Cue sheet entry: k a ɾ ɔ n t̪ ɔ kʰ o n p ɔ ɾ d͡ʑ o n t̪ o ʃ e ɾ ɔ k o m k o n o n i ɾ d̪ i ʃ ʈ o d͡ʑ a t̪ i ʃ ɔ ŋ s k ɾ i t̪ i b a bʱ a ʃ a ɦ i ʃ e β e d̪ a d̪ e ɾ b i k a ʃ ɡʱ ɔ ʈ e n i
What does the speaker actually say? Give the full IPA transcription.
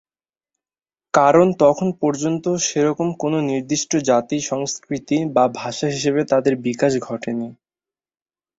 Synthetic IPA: k a ɾ o n t̪ ɔ kʰ o n p ɔ ɾ d͡ʑ o n t̪ o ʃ e ɾ ɔ k o m k o n o n i ɾ d̪ i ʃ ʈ o d͡ʑ a t̪ i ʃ ɔ ŋ s k ɾ i t̪ i b a bʱ a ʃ a ɦ i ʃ e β e t̪ a d̪ e ɾ b i k a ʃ ɡʱ ɔ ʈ e n i